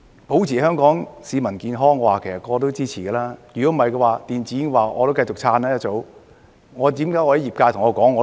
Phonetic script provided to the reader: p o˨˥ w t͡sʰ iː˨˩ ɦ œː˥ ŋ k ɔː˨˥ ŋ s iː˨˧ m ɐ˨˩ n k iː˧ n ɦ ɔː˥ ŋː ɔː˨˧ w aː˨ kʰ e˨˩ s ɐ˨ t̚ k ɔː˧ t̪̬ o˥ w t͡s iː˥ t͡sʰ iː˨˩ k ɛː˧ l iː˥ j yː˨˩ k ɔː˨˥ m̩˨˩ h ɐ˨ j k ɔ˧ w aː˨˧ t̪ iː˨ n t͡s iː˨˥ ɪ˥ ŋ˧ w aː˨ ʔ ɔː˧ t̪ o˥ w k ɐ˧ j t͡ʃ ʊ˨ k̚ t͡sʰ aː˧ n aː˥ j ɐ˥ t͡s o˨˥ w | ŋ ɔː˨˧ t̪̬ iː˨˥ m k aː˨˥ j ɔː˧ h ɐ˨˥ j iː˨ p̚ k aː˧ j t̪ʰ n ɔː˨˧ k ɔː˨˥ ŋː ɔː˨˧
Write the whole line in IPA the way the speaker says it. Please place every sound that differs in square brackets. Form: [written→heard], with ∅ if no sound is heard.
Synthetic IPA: p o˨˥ w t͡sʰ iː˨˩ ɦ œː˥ ŋ k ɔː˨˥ ŋ s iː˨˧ m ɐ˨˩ n k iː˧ n ɦ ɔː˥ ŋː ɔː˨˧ w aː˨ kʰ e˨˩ s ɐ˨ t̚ k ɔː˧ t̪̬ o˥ w t͡s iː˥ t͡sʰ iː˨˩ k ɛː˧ l [iː˥→aː˥] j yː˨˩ k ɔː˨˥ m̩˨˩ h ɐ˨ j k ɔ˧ w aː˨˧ t̪ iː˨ n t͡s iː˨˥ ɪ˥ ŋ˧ w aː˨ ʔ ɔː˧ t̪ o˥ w k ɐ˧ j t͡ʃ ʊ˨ k̚ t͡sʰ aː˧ n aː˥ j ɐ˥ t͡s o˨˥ w | ŋ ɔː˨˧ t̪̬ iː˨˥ m k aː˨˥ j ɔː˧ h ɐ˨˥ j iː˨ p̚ k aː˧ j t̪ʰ [n→ŋ] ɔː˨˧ k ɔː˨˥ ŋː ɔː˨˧

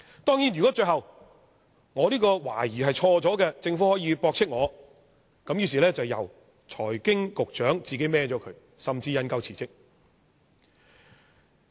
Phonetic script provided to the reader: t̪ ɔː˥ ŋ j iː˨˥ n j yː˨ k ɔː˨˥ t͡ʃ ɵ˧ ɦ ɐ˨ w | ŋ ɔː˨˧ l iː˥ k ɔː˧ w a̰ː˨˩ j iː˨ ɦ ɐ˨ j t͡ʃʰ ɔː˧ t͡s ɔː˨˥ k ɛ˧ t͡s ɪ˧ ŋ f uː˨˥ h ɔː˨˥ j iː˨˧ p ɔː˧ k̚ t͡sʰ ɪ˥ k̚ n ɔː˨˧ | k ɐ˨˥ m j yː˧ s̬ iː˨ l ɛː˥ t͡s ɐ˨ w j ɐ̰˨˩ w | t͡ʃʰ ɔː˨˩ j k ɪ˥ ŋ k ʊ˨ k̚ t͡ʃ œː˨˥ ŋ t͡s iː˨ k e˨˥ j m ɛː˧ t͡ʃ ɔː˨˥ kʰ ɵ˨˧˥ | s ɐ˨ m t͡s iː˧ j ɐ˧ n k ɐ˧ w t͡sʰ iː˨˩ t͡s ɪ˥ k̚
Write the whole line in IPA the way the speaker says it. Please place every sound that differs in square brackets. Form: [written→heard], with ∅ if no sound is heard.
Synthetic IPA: t̪ ɔː˥ ŋ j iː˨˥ n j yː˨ k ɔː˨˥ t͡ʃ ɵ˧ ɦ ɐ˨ w | ŋ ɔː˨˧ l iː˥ k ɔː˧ w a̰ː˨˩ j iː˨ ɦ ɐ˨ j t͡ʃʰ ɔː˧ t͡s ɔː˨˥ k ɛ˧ t͡s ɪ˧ ŋ f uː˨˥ h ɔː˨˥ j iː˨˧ p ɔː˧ k̚ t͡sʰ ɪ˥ k̚ [n→ŋ] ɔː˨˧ | k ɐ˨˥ m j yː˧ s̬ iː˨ l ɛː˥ t͡s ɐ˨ w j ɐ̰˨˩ w | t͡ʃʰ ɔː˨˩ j k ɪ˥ ŋ k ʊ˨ k̚ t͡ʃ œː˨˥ ŋ t͡s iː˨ k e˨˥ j m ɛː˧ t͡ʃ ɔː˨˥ kʰ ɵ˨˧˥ | s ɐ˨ m t͡s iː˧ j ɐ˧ n k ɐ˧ w t͡sʰ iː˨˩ t͡s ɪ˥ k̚

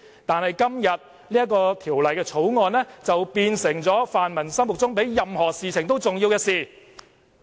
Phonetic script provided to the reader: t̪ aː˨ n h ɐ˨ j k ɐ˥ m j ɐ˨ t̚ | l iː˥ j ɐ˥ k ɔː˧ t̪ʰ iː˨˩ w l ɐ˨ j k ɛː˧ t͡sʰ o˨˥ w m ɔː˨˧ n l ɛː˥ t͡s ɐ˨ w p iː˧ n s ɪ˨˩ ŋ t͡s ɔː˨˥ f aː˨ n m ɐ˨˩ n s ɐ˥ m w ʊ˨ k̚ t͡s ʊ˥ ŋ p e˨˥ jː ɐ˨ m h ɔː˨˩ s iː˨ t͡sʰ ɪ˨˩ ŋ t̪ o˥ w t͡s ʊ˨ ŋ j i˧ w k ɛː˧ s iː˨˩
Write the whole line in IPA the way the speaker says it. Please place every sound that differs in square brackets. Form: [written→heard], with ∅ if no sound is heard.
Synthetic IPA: t̪ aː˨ n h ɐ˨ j k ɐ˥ m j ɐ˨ t̚ | l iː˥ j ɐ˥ k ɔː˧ t̪ʰ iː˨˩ w l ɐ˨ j k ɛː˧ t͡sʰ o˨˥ w [m→ŋ] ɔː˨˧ n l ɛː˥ t͡s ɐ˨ w p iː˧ n s ɪ˨˩ ŋ t͡s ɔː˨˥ f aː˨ n m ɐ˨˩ n s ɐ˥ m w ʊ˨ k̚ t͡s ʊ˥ ŋ p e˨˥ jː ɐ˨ m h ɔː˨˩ s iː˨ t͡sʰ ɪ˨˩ ŋ t̪ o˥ w t͡s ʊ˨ ŋ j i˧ w k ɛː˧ s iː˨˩

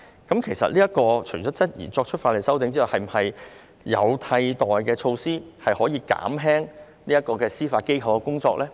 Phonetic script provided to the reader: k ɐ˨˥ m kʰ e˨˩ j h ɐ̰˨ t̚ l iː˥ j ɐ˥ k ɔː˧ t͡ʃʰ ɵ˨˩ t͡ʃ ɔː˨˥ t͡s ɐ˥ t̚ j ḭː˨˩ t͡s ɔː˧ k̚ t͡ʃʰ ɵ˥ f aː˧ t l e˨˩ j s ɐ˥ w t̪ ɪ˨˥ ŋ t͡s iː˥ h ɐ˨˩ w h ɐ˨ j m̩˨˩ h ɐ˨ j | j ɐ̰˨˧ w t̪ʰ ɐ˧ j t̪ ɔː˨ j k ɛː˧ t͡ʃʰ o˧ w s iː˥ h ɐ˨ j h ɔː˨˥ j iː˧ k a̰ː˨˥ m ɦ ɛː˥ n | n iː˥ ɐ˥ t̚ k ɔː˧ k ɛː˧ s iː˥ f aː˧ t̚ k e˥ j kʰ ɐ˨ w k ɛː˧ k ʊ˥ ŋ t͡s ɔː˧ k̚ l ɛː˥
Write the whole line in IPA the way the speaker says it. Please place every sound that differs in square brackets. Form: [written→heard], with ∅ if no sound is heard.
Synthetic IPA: k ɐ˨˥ m kʰ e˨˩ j [h→s] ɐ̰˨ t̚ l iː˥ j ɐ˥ k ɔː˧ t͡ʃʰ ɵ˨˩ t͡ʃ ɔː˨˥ t͡s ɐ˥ t̚ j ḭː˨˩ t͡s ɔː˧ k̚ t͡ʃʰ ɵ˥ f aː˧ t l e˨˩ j s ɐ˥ w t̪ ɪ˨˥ ŋ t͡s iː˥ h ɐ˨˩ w h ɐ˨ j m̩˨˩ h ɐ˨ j | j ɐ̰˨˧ w t̪ʰ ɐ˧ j t̪ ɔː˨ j k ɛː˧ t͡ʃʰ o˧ w s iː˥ h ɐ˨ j h ɔː˨˥ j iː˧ k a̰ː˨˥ m ɦ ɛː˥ [n→ŋ] | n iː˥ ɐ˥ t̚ k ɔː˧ k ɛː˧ s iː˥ f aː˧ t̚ k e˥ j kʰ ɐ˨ w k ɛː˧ k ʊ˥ ŋ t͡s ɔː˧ k̚ l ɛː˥

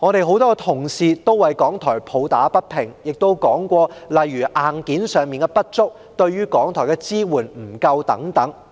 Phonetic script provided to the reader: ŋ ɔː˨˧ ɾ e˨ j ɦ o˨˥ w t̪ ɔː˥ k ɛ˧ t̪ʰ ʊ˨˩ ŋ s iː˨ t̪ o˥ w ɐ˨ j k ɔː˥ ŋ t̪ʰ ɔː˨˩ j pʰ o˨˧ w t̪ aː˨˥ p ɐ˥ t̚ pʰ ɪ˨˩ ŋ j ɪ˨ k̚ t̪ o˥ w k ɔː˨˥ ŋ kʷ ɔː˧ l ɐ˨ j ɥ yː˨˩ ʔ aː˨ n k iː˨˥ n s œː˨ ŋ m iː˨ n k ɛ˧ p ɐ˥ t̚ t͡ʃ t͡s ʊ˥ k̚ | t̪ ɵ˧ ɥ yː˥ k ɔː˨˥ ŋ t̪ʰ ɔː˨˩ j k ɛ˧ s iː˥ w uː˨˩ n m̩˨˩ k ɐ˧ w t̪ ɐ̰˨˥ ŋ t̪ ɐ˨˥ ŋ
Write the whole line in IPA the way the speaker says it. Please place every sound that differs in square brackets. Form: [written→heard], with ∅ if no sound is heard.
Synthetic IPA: ŋ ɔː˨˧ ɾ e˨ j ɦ o˨˥ w t̪ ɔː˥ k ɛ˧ t̪ʰ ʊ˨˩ ŋ s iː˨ t̪ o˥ w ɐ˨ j k [ɔː˥→ɔː˨˥] ŋ t̪ʰ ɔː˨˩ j pʰ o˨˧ w t̪ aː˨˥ p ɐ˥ t̚ pʰ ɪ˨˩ ŋ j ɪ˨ k̚ t̪ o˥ w k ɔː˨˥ ŋ kʷ ɔː˧ l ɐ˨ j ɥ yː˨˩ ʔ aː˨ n k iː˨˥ n s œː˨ ŋ m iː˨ n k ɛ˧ p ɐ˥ t̚ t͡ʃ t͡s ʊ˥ k̚ | t̪ ɵ˧ ɥ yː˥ k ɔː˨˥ ŋ t̪ʰ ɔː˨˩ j k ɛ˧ [s→t͡s] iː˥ w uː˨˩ n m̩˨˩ k ɐ˧ w t̪ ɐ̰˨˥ ŋ t̪ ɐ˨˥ ŋ

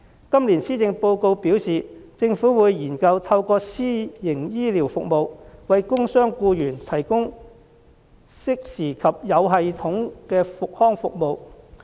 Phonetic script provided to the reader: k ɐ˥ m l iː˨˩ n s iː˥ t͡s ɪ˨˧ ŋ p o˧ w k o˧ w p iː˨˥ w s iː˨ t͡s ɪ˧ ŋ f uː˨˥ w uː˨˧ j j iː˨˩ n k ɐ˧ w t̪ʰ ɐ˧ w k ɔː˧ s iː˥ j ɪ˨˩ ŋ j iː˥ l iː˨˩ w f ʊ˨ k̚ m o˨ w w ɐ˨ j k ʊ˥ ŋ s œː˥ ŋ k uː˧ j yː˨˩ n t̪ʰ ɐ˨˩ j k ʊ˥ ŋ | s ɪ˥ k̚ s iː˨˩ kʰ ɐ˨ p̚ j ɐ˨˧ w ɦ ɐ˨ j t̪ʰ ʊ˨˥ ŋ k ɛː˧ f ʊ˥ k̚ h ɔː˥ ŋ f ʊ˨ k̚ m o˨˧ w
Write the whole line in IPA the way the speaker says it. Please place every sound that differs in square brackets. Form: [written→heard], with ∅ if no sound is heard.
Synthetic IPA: k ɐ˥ m l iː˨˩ n s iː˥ t͡s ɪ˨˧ ŋ p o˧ w k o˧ w p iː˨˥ w s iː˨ t͡s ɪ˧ ŋ f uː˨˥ w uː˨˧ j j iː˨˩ n k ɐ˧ w t̪ʰ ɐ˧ w k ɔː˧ s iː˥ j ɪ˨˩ ŋ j iː˥ l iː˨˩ w f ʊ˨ k̚ m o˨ w w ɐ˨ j k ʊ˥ ŋ s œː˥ ŋ k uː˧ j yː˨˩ n t̪ʰ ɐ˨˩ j k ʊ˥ ŋ | s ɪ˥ k̚ s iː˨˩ kʰ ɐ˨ p̚ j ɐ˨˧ w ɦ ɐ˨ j t̪ʰ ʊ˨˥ ŋ k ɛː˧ f [ʊ˥→ʊ˨] k̚ h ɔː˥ ŋ f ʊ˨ k̚ m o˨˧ w

